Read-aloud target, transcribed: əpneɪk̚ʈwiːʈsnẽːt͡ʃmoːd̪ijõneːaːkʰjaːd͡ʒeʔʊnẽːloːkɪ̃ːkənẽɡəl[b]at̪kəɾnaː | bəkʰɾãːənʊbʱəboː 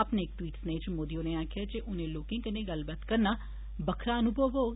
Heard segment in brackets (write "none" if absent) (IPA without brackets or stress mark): b